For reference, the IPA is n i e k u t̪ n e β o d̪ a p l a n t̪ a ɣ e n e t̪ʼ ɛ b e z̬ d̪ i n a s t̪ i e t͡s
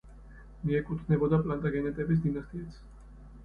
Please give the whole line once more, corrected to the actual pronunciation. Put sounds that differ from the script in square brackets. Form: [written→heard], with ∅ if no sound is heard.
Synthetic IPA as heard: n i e k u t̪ n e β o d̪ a p l a n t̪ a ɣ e n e [t̪ʼ→t̪] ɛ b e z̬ d̪ i n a s t̪ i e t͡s